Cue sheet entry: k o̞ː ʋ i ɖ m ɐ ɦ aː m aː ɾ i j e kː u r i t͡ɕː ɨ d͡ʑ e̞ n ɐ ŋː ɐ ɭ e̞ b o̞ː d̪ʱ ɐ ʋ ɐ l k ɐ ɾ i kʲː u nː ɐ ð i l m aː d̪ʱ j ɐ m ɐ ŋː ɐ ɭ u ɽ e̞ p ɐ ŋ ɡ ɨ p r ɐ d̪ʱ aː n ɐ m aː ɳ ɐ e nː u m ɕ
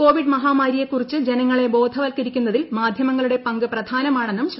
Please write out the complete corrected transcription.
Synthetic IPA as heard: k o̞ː ʋ i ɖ m ɐ ɦ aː m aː ɾ i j e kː u r i t͡ɕː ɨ d͡ʑ e̞ n ɐ ŋː ɐ ɭ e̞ b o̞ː d̪ʱ ɐ ʋ ɐ l k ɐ ɾ i kʲː u nː ɐ ð i l m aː d̪ʱ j ɐ m ɐ ŋː ɐ ɭ u ɽ e̞ p ɐ ŋ ɡ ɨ p r ɐ d̪ʱ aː n ɐ m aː ɳ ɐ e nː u m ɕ